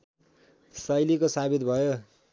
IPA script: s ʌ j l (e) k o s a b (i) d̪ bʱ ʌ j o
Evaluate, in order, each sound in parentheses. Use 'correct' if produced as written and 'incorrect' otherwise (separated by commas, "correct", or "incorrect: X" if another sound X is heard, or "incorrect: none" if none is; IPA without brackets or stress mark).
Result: incorrect: i, correct